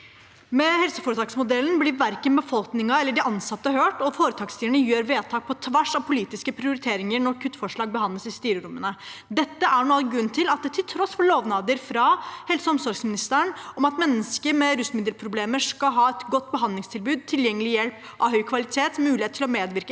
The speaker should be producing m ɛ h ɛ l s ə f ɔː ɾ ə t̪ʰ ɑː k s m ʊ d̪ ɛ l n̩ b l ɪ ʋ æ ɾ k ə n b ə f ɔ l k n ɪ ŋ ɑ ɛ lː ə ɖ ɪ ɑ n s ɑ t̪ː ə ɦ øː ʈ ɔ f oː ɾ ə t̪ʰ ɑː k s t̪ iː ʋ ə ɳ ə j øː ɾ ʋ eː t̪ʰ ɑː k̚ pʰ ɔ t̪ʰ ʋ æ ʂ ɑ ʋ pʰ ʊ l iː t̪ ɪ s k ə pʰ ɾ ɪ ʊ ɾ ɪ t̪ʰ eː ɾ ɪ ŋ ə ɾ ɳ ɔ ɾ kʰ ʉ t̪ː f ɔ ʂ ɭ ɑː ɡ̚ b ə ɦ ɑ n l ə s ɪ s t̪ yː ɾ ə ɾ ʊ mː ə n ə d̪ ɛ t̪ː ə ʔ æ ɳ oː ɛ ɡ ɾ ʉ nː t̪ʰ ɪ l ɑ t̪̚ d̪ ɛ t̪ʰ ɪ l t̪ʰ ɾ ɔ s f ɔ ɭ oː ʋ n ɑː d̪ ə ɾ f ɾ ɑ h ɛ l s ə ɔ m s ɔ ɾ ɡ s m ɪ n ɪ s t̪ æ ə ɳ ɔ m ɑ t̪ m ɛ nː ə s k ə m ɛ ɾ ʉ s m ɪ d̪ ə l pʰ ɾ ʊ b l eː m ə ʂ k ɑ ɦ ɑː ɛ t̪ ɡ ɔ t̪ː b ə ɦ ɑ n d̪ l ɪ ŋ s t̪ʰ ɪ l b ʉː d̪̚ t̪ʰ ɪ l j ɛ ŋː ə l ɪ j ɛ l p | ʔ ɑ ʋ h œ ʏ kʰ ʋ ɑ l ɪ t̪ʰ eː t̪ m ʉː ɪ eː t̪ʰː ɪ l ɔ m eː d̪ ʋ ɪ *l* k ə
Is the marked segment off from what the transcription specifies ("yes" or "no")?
yes